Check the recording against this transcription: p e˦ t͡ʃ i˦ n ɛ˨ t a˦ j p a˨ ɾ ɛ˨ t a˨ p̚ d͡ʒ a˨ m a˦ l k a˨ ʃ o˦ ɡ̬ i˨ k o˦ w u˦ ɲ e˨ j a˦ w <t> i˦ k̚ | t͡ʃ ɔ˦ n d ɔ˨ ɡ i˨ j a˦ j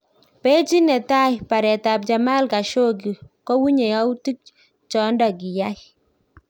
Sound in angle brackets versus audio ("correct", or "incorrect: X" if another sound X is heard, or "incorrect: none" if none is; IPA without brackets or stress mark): correct